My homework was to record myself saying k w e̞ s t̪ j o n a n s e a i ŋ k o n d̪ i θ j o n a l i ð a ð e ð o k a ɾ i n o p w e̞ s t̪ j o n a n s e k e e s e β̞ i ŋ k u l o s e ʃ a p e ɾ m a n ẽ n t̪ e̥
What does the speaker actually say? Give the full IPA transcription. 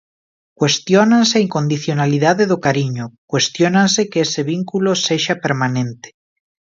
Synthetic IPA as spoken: k w e̞ s t̪ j o n a n s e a i ŋ k o n d̪ i θ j o n a l i ð a ð e ð o k a ɾ i ɲ o k w e̞ s t̪ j o n a n s e k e e s e β̞ i ŋ k u l o s e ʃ a p e ɾ m a n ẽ n t̪ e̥